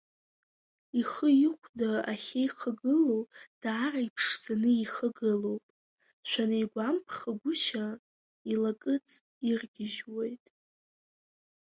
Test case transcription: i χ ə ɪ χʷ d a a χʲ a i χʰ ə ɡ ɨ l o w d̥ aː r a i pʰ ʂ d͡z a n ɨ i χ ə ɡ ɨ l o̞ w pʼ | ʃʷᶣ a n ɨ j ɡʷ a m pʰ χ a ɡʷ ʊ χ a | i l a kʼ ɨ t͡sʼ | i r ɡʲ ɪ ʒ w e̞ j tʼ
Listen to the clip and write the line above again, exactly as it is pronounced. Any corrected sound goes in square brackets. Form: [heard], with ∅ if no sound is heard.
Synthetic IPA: i χ ə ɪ χʷ d a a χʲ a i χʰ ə ɡ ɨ l o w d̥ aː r a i pʰ ʂ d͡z a n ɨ i χ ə ɡ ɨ l o̞ w pʼ | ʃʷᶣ a n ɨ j ɡʷ a m pʰ χ a ɡʷ ʊ [ʃ] a | i l a kʼ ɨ t͡sʼ | i r ɡʲ ɪ ʒ w e̞ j tʼ